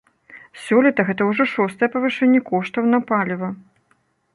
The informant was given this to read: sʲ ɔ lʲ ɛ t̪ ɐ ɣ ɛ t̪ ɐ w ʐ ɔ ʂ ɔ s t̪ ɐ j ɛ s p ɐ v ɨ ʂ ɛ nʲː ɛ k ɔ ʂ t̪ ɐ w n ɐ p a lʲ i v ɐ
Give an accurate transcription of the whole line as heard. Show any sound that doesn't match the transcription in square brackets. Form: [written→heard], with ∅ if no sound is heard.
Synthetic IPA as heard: sʲ ɔ lʲ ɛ t̪ ɐ ɣ ɛ t̪ ɐ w ʐ ɔ ʂ ɔ s t̪ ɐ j ɛ [s→∅] p ɐ v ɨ ʂ ɛ nʲː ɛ k ɔ ʂ t̪ ɐ w n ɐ p a lʲ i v ɐ